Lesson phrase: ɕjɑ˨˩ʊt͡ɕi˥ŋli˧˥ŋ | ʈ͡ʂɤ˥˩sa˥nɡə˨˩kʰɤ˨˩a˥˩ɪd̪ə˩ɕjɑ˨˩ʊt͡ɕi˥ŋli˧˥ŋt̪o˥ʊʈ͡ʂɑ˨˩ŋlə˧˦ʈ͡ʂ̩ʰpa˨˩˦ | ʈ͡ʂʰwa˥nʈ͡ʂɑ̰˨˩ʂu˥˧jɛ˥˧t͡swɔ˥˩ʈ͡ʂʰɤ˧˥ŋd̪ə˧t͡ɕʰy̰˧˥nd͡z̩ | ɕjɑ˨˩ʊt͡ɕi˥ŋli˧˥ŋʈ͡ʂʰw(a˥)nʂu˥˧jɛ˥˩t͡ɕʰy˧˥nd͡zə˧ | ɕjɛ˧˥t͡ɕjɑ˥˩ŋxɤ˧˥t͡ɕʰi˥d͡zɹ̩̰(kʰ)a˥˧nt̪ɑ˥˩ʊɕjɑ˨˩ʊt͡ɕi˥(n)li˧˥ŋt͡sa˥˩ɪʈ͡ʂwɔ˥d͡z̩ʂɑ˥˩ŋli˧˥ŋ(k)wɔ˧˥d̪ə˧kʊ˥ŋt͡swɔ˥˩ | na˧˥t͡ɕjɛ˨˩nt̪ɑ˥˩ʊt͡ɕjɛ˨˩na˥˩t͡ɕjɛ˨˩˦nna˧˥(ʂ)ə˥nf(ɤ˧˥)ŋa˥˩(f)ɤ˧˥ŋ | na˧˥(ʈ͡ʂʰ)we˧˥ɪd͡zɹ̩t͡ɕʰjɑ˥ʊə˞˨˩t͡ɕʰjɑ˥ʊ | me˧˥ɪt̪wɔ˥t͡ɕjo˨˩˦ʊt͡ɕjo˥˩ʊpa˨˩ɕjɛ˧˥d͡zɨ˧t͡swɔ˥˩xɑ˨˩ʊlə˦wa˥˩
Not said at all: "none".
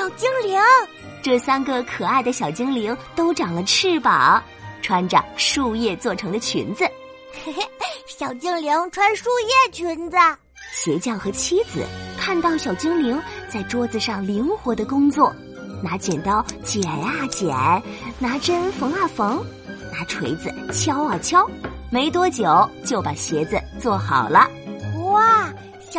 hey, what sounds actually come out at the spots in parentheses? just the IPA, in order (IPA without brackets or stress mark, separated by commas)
a˥, kʰ, ŋ, x, ʈ͡ʂ, ɤ˧˥, f, ʈ͡ʂʰ